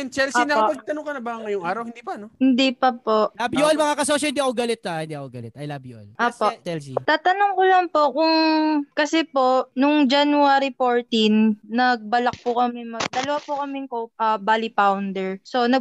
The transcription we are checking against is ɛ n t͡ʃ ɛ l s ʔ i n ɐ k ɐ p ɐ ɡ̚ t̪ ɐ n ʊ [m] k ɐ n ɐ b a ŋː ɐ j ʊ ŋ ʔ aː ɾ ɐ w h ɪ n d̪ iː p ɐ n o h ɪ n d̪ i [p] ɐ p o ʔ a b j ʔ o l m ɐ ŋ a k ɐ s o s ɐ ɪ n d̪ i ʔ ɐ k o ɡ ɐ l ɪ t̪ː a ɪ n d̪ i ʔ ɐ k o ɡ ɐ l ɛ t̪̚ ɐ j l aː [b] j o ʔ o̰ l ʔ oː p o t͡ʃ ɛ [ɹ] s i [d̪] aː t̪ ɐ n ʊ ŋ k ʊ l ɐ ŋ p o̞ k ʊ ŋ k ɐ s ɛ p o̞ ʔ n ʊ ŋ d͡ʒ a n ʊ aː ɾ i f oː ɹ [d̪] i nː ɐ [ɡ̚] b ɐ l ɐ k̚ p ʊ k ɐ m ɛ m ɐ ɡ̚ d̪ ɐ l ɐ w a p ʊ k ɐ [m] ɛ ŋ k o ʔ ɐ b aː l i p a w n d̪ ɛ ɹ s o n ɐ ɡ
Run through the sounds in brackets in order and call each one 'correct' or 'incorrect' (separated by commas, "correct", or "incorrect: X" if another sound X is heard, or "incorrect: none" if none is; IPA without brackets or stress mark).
incorrect: ŋ, correct, correct, incorrect: l, incorrect: t̪, incorrect: t̪, correct, correct